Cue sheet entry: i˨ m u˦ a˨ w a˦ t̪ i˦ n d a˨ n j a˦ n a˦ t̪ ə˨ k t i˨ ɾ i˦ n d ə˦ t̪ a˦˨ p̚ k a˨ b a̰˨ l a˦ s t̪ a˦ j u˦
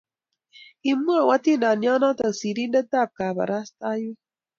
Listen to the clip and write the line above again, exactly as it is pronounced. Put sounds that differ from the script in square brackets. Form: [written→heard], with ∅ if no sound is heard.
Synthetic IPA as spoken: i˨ m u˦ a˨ w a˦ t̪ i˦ n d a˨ n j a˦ n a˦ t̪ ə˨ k [t→s] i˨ ɾ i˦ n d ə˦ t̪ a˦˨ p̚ k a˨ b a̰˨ [l→ɾ] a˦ s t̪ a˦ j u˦